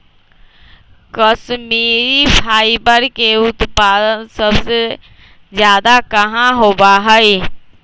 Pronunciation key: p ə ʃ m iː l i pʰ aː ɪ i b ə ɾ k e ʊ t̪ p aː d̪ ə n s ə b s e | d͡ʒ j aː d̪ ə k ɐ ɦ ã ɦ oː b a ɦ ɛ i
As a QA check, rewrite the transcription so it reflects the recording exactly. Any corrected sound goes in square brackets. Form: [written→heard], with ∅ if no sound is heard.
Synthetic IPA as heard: [p→k] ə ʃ m iː [l→ɾ] i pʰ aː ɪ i b ə ɾ k e ʊ t̪ p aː d̪ ə n s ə b s e | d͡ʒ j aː d̪ [ə→a] k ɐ ɦ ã ɦ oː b a ɦ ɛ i